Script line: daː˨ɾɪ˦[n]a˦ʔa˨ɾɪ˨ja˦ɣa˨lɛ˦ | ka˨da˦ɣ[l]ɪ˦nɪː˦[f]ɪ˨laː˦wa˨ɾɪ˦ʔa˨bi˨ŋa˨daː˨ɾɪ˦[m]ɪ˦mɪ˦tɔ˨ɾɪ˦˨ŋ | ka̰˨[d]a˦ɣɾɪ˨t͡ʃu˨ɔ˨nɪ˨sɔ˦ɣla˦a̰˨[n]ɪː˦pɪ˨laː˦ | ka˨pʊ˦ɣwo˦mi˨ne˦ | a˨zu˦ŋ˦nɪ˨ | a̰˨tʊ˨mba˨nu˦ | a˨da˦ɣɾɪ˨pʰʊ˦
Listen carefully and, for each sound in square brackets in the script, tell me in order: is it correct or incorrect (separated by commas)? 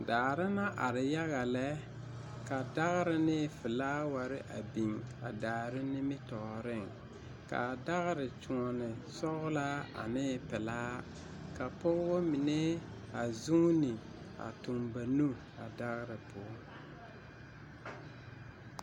correct, incorrect, correct, incorrect, correct, correct